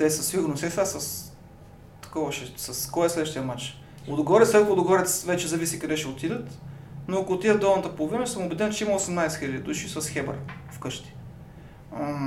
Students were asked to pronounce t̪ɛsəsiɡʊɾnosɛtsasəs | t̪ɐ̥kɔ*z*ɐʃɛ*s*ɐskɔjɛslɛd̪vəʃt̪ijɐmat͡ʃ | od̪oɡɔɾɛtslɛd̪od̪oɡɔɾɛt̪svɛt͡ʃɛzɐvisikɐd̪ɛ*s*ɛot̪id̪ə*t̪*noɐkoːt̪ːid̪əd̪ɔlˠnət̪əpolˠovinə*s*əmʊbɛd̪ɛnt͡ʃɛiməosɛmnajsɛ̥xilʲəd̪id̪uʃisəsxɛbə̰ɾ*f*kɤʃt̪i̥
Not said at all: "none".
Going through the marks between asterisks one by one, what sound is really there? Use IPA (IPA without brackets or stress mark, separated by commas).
v, s, ʃ, t̪, s, f